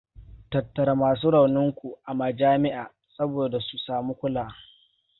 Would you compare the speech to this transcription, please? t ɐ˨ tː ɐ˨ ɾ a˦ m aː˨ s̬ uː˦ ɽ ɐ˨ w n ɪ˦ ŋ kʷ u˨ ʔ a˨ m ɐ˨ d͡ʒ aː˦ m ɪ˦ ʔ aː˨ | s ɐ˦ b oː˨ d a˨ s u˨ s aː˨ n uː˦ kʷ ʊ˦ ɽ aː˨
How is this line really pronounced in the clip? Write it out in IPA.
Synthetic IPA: t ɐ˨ tː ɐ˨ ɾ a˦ m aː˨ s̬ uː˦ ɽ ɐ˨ w n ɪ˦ ŋ kʷ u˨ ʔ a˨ m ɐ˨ d͡ʒ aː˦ m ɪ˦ ʔ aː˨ | s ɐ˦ b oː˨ d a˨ s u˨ s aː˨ m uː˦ kʷ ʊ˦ l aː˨